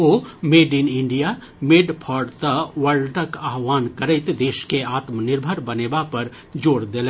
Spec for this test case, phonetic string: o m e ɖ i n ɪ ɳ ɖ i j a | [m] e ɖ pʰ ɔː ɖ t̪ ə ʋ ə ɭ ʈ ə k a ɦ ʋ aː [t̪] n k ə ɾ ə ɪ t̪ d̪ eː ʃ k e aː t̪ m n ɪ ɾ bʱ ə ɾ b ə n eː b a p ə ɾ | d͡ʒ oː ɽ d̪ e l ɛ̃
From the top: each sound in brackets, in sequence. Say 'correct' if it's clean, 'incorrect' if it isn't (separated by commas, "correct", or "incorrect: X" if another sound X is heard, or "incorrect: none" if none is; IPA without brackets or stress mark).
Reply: correct, incorrect: none